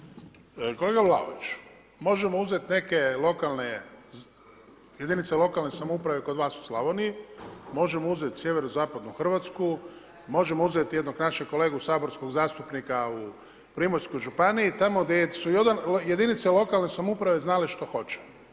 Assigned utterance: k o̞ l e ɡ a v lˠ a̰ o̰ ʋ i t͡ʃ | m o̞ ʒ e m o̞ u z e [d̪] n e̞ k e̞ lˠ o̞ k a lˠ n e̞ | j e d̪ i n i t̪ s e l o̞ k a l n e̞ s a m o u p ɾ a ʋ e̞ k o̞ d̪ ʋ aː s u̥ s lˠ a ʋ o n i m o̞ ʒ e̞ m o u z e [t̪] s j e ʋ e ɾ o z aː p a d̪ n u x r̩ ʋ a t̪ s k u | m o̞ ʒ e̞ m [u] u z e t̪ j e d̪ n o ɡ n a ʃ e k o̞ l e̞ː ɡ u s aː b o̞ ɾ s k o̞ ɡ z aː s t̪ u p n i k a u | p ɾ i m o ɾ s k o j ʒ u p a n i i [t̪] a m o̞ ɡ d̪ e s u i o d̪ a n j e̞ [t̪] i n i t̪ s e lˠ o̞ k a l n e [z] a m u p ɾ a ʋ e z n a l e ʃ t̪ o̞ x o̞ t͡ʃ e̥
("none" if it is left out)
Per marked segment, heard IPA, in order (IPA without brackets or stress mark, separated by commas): t̪, t̪, o, t̪, d̪, s